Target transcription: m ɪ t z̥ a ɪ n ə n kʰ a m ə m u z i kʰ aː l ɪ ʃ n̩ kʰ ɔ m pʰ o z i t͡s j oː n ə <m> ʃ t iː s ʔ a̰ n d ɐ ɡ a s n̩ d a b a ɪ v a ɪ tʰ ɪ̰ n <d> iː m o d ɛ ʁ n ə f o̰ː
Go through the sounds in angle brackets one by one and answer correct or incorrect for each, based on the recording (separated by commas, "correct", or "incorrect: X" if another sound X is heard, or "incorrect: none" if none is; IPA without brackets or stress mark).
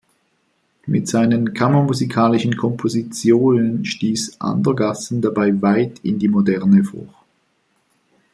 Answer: incorrect: n, correct